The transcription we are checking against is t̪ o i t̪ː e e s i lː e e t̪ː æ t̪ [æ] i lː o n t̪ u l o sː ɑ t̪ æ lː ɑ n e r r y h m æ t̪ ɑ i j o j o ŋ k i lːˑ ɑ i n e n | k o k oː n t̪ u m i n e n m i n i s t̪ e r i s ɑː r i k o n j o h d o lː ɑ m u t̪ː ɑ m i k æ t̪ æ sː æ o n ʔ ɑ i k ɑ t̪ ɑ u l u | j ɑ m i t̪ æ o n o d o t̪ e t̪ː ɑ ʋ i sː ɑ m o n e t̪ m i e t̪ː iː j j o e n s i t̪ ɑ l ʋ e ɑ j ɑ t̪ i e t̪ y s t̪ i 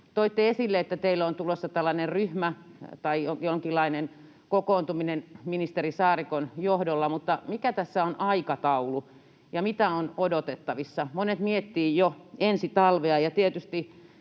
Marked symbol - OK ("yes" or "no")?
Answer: no